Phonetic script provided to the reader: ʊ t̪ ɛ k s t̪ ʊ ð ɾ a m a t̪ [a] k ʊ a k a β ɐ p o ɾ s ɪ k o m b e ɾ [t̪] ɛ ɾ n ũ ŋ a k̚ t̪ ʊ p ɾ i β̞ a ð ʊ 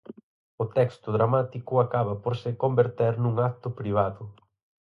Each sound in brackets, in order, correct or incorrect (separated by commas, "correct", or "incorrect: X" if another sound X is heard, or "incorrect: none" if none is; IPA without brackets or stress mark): incorrect: i, correct